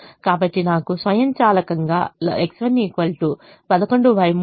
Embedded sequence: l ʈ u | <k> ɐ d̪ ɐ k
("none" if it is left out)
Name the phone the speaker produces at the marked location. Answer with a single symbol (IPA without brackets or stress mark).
p